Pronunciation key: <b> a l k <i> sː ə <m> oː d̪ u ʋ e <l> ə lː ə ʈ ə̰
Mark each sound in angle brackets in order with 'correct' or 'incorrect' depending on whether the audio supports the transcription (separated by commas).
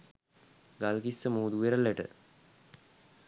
incorrect, correct, correct, incorrect